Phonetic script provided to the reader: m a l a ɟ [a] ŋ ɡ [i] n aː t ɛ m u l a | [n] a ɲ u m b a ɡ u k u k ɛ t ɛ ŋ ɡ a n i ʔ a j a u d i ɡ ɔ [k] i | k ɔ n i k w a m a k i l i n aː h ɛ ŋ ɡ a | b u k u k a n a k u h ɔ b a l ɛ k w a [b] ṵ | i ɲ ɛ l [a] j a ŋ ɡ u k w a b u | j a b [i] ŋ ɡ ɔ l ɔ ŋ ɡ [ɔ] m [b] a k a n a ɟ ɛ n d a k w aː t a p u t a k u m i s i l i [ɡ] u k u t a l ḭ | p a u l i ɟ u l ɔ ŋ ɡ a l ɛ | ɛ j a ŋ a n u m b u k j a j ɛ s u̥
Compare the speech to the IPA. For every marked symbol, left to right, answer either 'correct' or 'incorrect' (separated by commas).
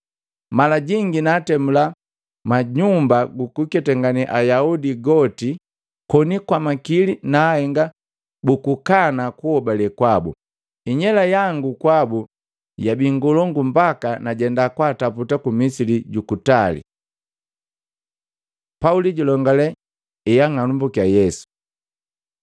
incorrect, correct, incorrect, incorrect, correct, correct, correct, incorrect, correct, incorrect